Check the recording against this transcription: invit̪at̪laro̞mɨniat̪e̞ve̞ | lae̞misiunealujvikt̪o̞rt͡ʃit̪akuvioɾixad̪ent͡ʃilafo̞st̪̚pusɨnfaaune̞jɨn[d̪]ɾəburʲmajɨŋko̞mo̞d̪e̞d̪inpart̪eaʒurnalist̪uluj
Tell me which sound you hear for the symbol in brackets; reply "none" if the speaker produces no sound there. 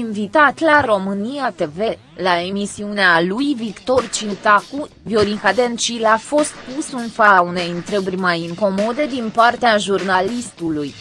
t̪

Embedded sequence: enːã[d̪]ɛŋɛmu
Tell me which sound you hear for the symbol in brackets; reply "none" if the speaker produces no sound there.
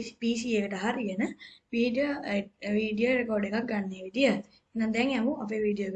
d̪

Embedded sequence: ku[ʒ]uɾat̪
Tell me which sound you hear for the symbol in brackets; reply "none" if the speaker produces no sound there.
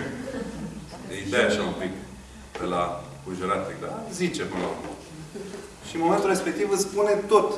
ʒ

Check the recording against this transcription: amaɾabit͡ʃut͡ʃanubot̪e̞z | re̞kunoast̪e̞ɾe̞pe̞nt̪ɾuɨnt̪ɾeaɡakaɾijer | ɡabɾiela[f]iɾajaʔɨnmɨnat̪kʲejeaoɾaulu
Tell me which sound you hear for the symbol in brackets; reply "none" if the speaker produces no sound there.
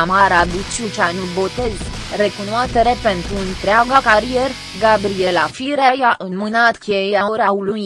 f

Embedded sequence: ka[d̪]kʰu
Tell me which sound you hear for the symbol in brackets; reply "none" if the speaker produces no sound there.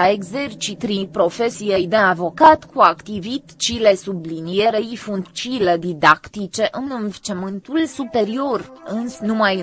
t̪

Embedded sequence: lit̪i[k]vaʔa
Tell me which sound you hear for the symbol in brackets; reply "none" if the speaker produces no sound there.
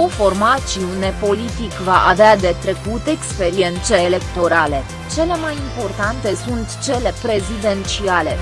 k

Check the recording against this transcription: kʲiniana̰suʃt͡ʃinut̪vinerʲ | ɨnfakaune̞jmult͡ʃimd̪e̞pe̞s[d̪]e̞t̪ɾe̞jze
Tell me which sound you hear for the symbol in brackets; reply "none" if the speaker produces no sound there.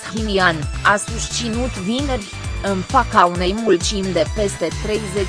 t̪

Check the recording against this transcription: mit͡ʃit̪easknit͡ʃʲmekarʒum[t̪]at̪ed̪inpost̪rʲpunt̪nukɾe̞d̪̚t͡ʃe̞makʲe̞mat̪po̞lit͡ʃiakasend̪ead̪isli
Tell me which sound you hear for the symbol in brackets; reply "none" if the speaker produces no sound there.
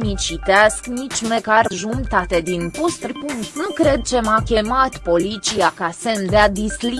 t̪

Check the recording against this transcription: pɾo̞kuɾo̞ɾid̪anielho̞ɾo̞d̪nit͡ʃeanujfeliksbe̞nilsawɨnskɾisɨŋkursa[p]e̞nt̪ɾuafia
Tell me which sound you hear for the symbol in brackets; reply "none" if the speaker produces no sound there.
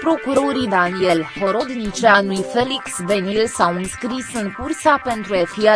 p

